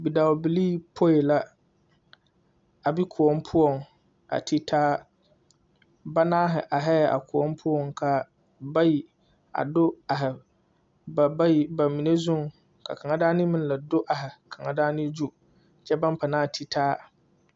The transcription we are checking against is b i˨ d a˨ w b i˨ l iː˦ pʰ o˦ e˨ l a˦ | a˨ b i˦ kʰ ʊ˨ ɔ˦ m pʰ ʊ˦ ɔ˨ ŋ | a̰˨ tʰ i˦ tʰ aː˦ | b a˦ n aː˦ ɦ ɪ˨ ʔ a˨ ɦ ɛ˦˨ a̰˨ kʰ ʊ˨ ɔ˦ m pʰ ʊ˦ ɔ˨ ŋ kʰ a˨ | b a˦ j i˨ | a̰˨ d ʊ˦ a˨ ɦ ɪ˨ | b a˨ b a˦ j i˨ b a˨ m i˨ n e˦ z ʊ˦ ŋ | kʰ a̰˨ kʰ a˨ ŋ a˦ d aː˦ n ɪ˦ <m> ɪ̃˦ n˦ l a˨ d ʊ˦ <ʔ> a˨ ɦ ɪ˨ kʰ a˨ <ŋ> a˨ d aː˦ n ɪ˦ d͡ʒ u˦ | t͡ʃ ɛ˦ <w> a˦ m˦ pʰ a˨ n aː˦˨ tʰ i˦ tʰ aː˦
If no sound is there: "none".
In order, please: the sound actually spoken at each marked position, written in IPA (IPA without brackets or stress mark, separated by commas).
m, ʔ, ŋ, b